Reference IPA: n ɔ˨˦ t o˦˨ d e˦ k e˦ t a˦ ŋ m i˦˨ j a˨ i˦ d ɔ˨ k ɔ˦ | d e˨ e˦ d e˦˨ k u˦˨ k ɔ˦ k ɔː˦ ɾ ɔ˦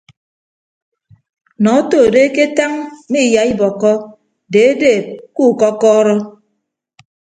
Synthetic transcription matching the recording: n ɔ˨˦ t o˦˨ d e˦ k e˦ t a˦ ŋ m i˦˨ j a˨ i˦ b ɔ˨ k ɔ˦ | d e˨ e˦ d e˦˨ k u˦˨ k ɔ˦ k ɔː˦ ɾ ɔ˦

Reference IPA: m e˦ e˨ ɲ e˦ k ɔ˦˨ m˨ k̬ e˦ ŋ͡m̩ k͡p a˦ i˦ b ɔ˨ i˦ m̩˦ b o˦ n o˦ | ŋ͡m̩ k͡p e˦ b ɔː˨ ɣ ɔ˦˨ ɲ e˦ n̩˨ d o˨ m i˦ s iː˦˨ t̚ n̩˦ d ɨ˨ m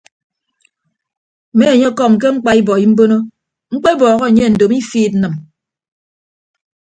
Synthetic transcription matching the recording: m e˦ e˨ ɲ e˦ k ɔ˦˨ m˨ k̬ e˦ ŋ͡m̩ k͡p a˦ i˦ b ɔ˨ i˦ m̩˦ b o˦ n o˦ | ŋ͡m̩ k͡p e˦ b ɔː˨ ɣ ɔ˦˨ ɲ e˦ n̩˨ d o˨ m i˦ f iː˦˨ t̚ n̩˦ n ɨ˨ m

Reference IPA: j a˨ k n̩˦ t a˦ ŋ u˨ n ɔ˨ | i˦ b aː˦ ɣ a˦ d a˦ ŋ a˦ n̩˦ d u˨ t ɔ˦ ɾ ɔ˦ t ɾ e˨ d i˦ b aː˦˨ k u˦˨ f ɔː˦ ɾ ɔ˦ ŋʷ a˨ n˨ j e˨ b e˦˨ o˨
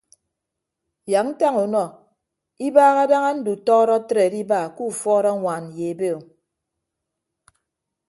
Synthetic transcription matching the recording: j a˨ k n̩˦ t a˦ ŋ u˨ n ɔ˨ | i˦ b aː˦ ɣ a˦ d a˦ ŋ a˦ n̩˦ d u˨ t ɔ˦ ɾ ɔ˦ t ɾ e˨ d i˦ b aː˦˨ k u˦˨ f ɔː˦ ɾ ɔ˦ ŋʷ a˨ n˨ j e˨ b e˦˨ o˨

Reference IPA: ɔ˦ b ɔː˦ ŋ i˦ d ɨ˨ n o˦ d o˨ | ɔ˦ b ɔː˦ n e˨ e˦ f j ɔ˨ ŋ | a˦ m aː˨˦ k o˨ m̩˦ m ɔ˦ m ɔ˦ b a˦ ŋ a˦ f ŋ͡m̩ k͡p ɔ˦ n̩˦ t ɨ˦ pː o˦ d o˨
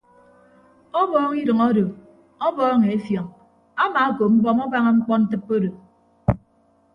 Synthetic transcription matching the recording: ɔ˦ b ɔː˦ ŋ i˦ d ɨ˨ ŋ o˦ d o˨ | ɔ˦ b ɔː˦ ŋ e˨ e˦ f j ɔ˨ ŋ | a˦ m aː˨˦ k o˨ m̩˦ b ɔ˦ m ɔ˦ b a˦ ŋ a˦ ŋ͡m̩ k͡p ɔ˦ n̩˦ t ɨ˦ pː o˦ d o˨

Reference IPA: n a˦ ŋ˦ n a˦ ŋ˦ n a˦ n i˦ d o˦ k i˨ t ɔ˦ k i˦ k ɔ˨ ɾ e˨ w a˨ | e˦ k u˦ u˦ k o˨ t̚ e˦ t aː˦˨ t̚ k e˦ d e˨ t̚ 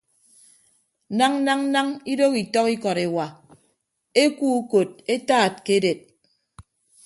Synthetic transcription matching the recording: n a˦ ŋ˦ n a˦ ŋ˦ n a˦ ŋ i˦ d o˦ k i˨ t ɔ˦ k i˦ k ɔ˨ ɾ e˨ w a˨ | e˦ k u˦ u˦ k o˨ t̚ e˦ t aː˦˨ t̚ k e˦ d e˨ t̚

